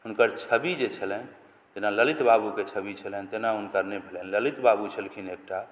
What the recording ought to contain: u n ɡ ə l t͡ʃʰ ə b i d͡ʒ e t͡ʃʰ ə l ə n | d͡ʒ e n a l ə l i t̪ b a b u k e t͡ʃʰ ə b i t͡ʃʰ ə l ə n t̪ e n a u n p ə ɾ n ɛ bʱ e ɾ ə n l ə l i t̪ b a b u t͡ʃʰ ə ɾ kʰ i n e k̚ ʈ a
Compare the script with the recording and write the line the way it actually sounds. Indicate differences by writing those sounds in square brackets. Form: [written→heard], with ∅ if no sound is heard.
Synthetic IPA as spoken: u n [ɡ→k] ə [l→ɾ] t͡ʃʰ ə b i d͡ʒ e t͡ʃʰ ə l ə n | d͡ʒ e n a l ə l i t̪ b a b u k e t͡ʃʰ ə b i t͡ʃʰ ə l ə n t̪ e n a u n [p→k] ə ɾ n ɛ bʱ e [ɾ→l] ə n l ə l i t̪ b a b u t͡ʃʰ ə [ɾ→l] kʰ i n e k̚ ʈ a